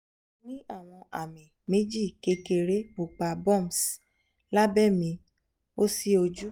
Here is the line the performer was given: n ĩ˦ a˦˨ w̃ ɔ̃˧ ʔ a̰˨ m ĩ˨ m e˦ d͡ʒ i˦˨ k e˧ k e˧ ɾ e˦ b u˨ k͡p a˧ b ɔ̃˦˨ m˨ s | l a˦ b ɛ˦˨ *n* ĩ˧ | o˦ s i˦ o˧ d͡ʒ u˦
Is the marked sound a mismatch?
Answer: yes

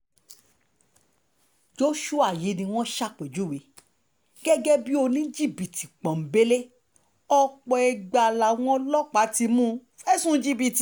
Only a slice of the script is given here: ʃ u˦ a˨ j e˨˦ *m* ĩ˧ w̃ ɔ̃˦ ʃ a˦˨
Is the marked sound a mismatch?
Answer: yes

